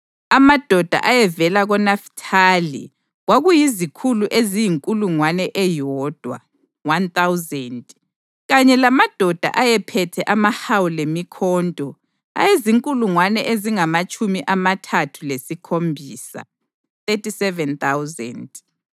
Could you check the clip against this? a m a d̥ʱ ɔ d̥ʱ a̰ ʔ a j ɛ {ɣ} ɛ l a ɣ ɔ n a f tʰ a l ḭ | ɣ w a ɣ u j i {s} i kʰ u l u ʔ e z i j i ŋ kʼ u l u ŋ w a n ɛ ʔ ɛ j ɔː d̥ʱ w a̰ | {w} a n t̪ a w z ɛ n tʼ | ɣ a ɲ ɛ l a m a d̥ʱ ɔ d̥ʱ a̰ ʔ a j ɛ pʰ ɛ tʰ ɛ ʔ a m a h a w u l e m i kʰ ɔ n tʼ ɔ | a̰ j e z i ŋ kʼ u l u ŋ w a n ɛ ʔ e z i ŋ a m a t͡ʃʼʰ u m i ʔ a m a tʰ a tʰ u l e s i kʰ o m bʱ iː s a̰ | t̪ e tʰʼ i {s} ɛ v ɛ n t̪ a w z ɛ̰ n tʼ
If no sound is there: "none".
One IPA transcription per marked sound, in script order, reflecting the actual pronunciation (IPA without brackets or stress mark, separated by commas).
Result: v, z, w, s